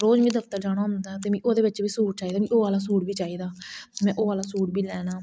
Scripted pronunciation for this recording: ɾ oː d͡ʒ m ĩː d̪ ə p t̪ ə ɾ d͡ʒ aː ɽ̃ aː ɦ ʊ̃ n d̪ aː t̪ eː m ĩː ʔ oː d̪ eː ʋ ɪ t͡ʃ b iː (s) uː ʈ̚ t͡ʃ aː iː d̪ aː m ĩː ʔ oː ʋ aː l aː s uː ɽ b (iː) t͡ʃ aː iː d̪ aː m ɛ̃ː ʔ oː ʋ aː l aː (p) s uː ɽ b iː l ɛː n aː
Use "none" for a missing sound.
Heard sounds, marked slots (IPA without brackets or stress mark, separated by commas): s, iː, none